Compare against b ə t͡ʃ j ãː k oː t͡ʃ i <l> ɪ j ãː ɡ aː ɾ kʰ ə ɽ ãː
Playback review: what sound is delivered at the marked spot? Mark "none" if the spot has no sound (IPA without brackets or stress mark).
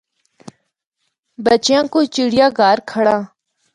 ɽ